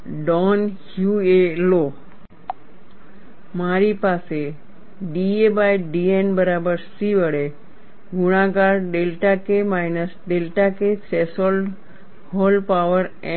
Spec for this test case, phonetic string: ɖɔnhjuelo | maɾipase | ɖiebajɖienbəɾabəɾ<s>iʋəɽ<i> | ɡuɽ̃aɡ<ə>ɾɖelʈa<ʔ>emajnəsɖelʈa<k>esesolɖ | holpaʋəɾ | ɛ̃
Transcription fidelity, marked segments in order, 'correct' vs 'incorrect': correct, incorrect, incorrect, incorrect, correct

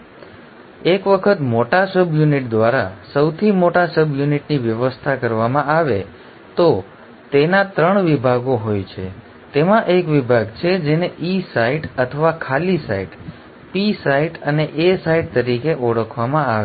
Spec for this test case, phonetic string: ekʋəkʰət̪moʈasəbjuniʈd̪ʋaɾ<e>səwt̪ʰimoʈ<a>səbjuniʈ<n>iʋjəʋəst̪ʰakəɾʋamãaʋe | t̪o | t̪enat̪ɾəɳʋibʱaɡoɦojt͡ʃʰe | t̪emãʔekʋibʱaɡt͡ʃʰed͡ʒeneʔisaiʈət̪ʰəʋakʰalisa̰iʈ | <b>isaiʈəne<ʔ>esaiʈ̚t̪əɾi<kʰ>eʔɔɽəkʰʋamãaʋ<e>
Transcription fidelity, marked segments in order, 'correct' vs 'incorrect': incorrect, correct, correct, incorrect, correct, incorrect, correct

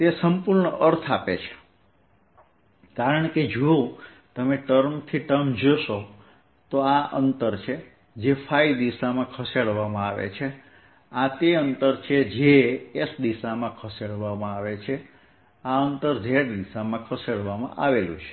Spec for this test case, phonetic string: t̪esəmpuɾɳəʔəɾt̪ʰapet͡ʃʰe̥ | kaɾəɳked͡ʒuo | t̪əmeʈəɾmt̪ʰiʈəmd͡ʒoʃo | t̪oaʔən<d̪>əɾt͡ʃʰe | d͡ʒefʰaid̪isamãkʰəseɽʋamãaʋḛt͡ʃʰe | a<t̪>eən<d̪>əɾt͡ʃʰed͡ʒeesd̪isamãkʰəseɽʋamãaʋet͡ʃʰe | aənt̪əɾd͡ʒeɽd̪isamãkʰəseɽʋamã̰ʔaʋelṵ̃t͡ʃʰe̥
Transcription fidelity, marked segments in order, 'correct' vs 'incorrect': incorrect, correct, incorrect

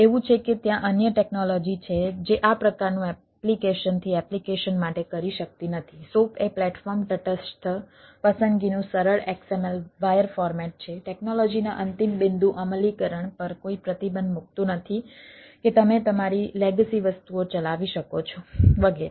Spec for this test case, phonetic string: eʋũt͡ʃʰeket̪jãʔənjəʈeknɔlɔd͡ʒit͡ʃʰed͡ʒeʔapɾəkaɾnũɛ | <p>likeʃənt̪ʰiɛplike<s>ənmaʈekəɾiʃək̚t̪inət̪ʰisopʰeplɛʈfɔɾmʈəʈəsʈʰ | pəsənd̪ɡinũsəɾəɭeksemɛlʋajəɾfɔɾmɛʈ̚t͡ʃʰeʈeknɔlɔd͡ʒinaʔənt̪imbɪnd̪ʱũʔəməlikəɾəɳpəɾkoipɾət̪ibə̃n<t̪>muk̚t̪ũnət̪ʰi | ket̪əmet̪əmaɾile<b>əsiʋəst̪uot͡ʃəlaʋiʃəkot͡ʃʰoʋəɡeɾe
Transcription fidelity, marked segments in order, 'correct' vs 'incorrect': correct, incorrect, incorrect, incorrect

